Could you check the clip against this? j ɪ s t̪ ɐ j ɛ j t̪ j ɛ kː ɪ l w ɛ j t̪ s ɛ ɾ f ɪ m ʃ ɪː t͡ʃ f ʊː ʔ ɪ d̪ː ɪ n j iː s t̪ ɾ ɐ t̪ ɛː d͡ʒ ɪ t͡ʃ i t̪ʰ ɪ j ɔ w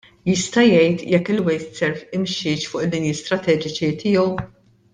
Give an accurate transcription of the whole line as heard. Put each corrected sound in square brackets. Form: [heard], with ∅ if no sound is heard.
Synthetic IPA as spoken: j ɪ s t̪ ɐ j ɛ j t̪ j ɛ kː ɪ l w ɛ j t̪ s ɛ ɾ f ɪ m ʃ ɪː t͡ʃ f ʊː ʔ ɪ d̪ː ɪ n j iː s t̪ ɾ ɐ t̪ ɛː d͡ʒ ɪ t͡ʃ i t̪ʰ ɪ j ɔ w